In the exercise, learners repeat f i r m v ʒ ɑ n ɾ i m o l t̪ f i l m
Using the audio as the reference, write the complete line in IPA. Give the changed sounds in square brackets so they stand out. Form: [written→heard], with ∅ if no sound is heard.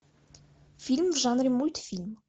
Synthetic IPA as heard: f i [r→l] m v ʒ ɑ n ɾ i m [o→u] l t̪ f i l m